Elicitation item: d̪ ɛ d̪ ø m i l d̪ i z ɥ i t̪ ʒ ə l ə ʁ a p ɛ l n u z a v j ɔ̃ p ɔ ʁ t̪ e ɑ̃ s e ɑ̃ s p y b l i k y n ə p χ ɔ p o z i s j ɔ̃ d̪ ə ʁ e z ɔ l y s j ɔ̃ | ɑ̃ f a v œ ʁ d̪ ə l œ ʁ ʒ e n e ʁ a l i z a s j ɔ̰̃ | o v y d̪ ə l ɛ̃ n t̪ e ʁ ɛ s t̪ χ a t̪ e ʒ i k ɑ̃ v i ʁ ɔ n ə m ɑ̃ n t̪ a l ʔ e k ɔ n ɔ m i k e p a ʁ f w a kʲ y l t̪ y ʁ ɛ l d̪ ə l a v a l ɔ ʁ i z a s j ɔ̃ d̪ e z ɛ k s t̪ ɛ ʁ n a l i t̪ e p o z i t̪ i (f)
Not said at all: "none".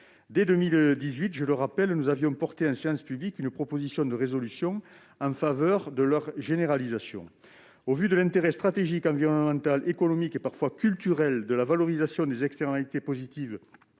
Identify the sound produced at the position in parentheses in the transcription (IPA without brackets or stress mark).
v